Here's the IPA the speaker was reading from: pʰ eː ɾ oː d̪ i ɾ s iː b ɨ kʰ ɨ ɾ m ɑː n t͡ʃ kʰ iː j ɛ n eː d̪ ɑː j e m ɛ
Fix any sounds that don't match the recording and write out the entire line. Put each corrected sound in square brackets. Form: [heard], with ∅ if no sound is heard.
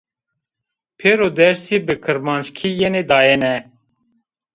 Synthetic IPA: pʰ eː ɾ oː d̪ [ɛ] ɾ s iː b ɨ kʰ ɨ ɾ m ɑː n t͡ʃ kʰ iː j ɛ n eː d̪ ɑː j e [n] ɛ